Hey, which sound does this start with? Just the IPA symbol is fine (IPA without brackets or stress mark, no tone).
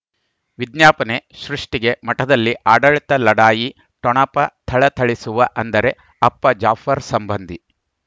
ʋ